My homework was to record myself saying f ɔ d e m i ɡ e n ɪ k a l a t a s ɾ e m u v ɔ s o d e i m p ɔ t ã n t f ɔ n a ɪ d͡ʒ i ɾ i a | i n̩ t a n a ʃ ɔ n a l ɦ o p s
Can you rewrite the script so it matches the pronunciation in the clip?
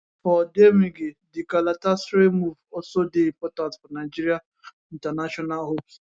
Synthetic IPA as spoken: f ɔ d e m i ɡ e d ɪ k a l a t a s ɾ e m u v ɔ s o d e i m p ɔ t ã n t f ɔ n a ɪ d͡ʒ i ɾ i a | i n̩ t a n a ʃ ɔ n a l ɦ o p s